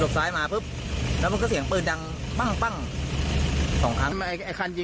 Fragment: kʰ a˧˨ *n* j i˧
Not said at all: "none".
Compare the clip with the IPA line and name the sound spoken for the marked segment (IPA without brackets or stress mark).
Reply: n